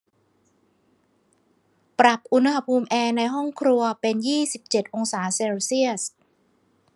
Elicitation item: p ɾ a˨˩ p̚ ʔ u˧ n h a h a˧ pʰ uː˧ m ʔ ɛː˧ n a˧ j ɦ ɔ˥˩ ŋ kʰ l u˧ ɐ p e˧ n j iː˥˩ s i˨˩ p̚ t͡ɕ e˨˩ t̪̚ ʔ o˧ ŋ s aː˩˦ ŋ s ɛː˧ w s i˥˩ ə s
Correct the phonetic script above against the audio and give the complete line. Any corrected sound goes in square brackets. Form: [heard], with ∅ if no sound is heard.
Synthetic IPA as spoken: p ɾ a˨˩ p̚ ʔ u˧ n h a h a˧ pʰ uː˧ m ʔ ɛː˧ n a˧ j ɦ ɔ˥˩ ŋ kʰ [ɾ] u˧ ɐ p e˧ n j iː˥˩ s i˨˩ p̚ t͡ɕ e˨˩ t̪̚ ʔ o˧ ŋ s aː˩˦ [∅] s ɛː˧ w s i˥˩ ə s